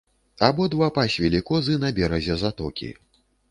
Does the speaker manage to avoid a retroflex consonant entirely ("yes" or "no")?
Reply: yes